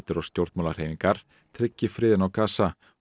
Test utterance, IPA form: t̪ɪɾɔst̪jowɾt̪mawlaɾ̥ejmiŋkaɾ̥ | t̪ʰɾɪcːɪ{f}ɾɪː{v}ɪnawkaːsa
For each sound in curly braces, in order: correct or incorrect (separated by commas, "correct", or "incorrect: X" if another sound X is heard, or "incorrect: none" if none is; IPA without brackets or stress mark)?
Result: correct, incorrect: ð